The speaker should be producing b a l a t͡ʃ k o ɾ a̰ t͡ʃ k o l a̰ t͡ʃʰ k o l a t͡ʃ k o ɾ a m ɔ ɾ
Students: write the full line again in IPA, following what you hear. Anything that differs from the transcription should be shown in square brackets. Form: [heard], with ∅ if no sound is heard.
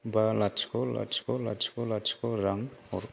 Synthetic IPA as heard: b a l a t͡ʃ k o [l] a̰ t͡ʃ k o l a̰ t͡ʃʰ k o l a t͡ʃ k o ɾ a [ŋ] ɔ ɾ